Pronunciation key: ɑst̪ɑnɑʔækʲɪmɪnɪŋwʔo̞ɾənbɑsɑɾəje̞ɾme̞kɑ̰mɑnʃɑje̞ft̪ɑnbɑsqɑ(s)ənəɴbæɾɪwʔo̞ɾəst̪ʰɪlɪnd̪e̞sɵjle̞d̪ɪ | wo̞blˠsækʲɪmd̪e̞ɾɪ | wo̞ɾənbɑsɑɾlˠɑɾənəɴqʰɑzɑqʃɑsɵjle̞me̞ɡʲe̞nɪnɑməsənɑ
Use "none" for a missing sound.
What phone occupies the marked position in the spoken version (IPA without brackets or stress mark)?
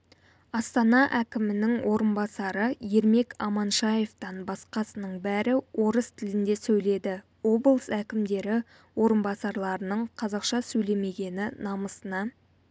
s